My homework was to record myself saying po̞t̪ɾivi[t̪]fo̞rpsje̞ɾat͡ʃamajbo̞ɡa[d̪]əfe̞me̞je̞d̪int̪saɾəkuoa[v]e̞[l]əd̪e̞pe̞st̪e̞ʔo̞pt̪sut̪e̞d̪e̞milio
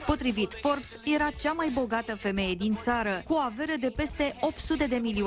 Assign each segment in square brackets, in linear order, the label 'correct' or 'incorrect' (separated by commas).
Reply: correct, incorrect, correct, incorrect